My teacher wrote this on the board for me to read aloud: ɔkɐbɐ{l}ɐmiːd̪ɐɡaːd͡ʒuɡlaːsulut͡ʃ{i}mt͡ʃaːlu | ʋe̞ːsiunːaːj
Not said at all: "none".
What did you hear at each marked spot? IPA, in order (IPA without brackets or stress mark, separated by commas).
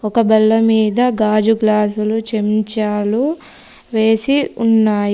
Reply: lː, e